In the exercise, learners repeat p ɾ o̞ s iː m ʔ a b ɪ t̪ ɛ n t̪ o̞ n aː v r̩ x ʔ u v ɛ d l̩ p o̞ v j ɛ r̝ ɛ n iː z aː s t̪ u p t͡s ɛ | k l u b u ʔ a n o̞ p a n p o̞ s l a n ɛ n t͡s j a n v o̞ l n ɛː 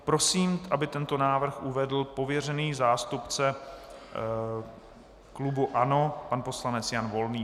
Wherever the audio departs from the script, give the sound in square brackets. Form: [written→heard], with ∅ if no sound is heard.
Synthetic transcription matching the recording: p ɾ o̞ s iː m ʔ a b ɪ t̪ ɛ n t̪ o̞ n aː v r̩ x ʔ u v ɛ d l̩ p o̞ v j ɛ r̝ ɛ n iː z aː s t̪ u p t͡s ɛ | k l u b u ʔ a n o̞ p a n p o̞ s l a n ɛ [n→∅] t͡s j a n v o̞ l n [ɛː→iː]